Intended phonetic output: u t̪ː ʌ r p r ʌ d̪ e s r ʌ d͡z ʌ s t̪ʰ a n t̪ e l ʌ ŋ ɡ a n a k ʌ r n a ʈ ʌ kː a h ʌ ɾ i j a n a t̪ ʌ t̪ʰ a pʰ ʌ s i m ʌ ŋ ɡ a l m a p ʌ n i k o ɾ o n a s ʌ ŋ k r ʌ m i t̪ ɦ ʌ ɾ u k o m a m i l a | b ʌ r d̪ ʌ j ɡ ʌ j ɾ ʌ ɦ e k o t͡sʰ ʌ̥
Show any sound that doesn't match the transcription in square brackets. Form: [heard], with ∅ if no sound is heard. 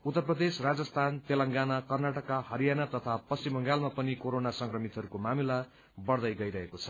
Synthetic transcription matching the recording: u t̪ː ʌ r p r ʌ d̪ e s r [a] d͡z ʌ s t̪ʰ a n t̪ e l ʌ ŋ ɡ a n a k ʌ r n a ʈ ʌ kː a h ʌ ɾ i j a n a t̪ ʌ t̪ʰ a [p] ʌ s i m ʌ ŋ ɡ a l m a p ʌ n i k o ɾ o n a s ʌ ŋ k r ʌ m i t̪ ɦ ʌ ɾ u k o m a m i l a | b ʌ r d̪ ʌ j ɡ ʌ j ɾ ʌ ɦ e k o t͡sʰ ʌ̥